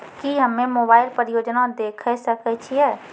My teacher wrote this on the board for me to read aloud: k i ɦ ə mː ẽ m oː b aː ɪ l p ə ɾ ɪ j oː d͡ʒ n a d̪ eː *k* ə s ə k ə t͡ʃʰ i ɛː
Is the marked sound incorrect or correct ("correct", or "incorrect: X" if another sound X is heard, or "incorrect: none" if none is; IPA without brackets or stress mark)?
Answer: incorrect: kʰ